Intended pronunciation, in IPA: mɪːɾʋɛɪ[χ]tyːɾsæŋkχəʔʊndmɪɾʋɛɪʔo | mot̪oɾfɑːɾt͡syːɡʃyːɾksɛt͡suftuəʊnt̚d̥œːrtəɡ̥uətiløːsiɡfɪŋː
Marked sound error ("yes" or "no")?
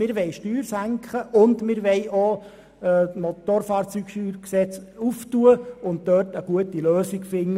yes